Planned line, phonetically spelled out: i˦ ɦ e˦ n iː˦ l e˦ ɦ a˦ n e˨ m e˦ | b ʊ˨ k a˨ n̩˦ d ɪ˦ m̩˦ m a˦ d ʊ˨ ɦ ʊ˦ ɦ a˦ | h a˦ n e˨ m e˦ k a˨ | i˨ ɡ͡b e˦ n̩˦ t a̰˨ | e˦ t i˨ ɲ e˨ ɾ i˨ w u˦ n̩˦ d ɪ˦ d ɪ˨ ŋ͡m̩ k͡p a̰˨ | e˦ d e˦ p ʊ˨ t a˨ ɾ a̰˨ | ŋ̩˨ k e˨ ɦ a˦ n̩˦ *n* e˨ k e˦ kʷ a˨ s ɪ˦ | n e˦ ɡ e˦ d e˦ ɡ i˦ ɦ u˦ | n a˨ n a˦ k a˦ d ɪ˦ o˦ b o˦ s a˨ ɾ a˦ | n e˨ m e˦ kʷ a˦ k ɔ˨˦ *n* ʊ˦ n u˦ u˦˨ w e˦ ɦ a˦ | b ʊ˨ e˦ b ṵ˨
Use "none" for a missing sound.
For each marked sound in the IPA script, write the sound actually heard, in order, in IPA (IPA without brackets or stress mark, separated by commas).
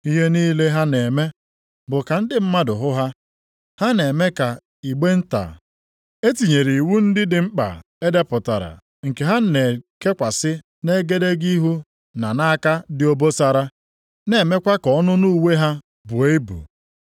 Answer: n, n